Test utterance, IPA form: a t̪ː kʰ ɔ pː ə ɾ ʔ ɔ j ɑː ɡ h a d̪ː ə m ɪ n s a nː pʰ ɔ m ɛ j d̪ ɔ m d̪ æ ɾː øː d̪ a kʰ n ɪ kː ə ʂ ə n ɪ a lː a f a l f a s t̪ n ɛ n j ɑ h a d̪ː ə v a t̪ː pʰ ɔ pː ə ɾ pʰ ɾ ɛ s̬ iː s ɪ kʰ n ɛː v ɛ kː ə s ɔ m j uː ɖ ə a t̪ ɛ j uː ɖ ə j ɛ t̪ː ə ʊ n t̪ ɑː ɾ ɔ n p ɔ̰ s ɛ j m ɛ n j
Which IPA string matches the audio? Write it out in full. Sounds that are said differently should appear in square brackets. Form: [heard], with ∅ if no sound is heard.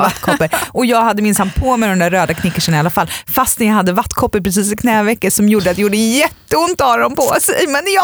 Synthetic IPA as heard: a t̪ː kʰ ɔ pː ə ɾ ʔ ɔ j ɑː ɡ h a d̪ː ə m ɪ n s a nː pʰ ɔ m ɛ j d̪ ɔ m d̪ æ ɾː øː d̪ a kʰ n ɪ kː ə ʂ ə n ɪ a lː a f a l f a s t̪ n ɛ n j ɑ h a d̪ː ə v a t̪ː [kʰ] ɔ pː ə ɾ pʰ ɾ ɛ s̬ iː s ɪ kʰ n ɛː v ɛ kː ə s ɔ m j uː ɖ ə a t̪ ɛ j uː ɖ ə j ɛ t̪ː ə ʊ n t̪ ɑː ɾ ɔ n p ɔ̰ s ɛ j m ɛ n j